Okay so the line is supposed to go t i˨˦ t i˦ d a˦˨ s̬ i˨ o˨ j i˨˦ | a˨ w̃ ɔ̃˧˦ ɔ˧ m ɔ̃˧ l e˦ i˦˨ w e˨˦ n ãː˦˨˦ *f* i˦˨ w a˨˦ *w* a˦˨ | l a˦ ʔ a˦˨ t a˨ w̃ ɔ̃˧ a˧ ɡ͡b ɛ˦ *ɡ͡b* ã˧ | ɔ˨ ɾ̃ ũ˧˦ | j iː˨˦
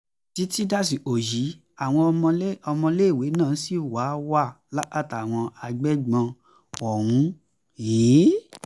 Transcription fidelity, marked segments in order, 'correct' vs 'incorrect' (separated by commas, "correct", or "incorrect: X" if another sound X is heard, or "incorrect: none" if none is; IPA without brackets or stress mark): incorrect: s, correct, correct